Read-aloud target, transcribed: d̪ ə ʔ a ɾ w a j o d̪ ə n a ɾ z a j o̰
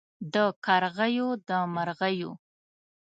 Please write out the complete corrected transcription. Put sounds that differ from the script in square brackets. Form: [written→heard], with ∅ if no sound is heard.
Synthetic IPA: d̪ ə [ʔ→k] a ɾ [w→ɣ] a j o d̪ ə [n→m] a ɾ [z→ɣ] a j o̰